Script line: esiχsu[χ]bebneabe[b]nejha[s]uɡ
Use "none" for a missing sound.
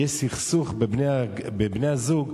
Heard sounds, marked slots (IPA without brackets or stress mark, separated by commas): χ, b, z